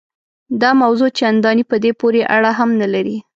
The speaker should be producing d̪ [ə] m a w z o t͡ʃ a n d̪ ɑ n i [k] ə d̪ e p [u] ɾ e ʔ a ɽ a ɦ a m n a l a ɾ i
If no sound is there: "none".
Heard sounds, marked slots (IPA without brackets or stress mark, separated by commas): ɑ, p, o